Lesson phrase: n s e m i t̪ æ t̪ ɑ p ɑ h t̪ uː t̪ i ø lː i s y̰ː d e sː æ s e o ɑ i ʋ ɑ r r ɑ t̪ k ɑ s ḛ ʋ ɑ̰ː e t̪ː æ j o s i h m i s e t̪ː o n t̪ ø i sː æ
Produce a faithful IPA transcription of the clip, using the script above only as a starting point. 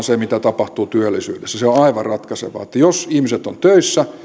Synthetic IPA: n s e m i t̪ æ t̪ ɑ p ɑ h t̪ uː t̪ y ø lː i s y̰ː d e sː æ s e o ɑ i ʋ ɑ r r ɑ t̪ k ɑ s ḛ ʋ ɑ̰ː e t̪ː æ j o s i h m i s e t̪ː o n t̪ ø i sː æ